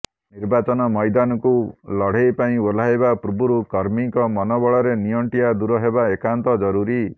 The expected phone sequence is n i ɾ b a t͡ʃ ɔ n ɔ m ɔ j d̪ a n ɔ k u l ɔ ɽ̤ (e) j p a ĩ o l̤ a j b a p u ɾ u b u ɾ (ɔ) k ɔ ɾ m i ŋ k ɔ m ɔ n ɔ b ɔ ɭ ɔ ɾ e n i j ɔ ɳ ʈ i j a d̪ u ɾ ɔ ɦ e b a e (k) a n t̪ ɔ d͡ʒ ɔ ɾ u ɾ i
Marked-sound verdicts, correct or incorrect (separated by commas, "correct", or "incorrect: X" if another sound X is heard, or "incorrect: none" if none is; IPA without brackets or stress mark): correct, incorrect: u, correct